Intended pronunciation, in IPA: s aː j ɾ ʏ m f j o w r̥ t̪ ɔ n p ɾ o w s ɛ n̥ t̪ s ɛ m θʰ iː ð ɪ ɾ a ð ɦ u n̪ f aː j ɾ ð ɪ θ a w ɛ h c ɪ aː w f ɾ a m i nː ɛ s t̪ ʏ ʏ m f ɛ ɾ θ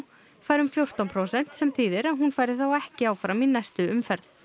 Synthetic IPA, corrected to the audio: f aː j ɾ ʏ m f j o w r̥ t̪ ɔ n pʰ ɾ o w s ɛ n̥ t̪ s ɛ m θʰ iː ð ɪ ɾ a ð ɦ u n̪ f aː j ɾ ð ɪ θ a w ɛ h c ɪ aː w f ɾ a m i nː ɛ s t̪ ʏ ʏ m f ɛ ɾ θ